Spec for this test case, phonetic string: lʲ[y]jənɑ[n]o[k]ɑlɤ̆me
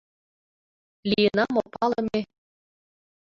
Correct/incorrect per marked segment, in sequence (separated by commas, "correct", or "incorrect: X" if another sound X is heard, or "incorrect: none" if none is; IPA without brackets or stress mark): incorrect: i, incorrect: m, incorrect: p